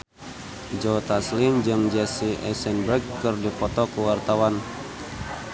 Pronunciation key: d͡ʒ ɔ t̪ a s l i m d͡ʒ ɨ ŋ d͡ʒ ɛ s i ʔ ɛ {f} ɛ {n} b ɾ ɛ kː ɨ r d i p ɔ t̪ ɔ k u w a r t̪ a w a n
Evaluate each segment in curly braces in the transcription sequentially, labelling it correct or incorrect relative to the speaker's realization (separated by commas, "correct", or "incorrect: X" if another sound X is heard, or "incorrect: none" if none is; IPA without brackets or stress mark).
incorrect: s, correct